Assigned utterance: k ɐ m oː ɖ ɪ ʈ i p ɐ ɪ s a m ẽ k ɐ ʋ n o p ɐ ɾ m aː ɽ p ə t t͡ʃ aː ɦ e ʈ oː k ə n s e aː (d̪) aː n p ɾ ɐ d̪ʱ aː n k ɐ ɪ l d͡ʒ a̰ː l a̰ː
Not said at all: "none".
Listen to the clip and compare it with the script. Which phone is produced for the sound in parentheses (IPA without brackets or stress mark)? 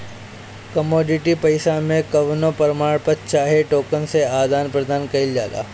d̪